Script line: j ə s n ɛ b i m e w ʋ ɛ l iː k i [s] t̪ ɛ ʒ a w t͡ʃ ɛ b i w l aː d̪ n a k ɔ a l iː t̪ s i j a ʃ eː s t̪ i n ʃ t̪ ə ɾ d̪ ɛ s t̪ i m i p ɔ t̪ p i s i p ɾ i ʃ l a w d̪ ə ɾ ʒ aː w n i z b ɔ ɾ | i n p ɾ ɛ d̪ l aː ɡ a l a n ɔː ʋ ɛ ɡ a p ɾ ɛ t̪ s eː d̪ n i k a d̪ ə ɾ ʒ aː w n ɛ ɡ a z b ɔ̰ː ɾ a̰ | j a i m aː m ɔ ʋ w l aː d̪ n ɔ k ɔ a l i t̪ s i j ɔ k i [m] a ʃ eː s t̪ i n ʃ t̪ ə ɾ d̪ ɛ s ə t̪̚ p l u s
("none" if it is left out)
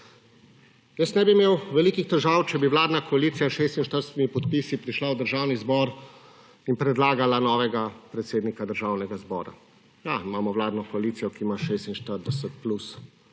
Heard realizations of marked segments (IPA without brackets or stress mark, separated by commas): x, m